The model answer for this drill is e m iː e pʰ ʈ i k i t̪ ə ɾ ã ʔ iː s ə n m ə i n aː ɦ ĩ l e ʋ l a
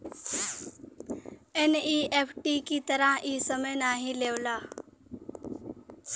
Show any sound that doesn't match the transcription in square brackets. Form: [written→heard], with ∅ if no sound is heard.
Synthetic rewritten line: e [m→n] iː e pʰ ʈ i k i t̪ ə ɾ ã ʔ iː s ə [n→∅] m ə [i→j] n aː ɦ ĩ l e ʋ l a

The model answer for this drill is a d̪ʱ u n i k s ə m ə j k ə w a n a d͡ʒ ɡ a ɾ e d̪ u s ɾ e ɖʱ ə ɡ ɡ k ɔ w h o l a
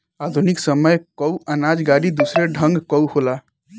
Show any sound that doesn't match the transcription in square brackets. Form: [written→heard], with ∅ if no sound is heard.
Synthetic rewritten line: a d̪ʱ u n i k s ə m ə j k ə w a n a d͡ʒ ɡ a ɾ [e→i] d̪ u s ɾ e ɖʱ ə [ɡ→ŋ] ɡ k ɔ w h o l a

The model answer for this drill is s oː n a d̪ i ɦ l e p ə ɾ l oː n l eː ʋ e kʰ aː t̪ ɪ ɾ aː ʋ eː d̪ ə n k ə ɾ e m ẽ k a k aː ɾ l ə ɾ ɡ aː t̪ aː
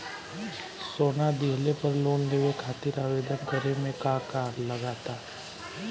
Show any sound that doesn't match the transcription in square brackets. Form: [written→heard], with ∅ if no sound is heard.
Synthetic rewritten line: s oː n a d̪ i ɦ l e p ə ɾ l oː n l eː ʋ e kʰ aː t̪ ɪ ɾ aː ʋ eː d̪ ə n k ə ɾ e m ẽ k a k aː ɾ l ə [ɾ→∅] ɡ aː t̪ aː

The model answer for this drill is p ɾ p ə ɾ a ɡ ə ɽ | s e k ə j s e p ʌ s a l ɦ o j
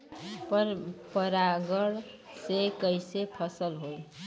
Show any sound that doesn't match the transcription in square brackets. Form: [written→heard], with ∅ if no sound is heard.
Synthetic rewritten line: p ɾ p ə ɾ a ɡ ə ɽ | s e k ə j s e [p→pʰ] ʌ s [a→ə] l ɦ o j

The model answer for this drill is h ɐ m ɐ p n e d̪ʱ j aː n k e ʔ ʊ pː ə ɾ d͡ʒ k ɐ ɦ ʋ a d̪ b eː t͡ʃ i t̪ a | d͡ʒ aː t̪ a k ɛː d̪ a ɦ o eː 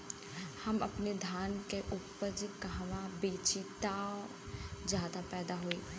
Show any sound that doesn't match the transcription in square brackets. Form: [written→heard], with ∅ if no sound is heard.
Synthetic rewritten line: h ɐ m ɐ p n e d̪ʱ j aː n k e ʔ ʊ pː ə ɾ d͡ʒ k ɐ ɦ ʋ a [d̪→∅] b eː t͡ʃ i t̪ a | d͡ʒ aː [t̪→d̪] a [k→p] ɛː d̪ a ɦ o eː

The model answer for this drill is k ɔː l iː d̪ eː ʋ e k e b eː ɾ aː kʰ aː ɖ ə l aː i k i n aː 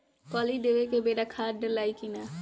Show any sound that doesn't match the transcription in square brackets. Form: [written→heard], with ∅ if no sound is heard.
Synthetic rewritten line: k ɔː l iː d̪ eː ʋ e k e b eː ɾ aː kʰ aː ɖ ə l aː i k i n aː

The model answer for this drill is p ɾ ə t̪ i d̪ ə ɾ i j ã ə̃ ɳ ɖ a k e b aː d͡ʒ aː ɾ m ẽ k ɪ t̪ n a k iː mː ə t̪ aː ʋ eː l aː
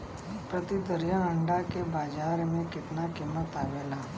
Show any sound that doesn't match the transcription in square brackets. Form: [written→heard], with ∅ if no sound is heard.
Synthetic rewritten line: p ɾ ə t̪ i d̪ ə ɾ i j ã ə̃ ɳ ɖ a k e b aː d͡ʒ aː ɾ m ẽ k ɪ t̪ n a k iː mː ə t̪ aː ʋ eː l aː

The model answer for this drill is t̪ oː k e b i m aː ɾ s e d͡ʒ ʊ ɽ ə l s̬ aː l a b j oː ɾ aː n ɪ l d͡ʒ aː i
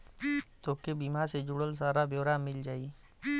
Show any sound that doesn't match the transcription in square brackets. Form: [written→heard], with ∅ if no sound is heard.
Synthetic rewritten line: t̪ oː k e b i m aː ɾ s e d͡ʒ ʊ ɽ ə l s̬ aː [l→ɾ] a b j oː ɾ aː [n→m] ɪ l d͡ʒ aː i

